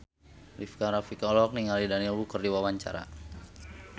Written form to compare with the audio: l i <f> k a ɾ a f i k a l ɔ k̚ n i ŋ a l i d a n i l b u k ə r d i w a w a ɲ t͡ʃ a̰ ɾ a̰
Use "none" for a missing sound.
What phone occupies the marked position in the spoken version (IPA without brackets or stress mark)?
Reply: f